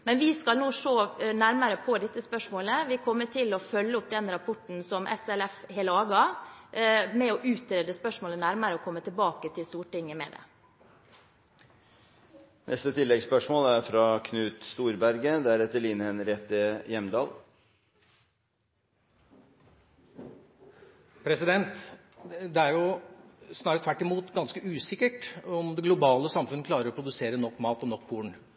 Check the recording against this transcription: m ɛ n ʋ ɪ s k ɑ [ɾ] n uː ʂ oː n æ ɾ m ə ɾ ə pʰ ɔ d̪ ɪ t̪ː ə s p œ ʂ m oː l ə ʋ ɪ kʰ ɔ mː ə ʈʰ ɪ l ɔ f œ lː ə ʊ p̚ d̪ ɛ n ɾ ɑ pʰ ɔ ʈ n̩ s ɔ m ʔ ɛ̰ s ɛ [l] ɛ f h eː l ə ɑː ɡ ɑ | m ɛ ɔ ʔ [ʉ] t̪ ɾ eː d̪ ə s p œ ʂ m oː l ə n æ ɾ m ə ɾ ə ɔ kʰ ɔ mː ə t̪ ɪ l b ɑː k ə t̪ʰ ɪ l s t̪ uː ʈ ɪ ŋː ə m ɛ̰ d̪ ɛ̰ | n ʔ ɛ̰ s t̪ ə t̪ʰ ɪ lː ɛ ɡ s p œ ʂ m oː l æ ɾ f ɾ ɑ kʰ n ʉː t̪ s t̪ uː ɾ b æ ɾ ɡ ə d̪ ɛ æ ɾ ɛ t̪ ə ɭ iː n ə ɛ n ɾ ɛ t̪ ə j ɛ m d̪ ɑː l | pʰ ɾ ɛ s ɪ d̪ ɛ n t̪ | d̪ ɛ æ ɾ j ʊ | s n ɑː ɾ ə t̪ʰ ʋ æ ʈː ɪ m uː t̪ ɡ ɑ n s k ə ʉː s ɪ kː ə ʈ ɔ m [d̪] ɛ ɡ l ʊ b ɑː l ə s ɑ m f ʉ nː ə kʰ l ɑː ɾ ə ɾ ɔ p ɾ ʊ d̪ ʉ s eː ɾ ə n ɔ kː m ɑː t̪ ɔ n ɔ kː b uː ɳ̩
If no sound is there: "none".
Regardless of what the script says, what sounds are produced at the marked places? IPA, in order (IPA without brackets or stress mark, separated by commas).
l, l, ʉː, d̪